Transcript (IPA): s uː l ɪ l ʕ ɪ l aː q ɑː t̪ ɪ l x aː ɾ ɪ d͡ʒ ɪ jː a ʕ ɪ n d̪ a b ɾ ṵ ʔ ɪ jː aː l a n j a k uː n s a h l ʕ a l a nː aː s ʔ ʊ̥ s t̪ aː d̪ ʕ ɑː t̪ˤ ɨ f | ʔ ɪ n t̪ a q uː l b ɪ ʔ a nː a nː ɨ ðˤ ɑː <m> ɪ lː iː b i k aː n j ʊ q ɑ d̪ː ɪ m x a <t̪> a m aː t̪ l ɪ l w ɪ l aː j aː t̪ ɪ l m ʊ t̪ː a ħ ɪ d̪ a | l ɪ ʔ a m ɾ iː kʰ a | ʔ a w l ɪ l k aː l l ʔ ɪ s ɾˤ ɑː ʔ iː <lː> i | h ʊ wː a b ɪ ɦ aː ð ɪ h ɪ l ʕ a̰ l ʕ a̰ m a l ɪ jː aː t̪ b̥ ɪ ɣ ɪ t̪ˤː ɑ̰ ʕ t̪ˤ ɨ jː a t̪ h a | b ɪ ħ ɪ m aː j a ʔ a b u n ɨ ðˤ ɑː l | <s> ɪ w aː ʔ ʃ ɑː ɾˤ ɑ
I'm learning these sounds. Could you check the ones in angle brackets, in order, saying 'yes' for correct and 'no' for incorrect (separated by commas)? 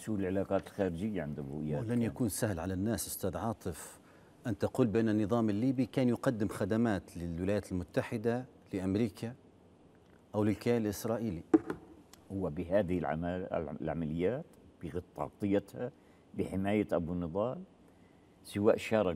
yes, no, no, yes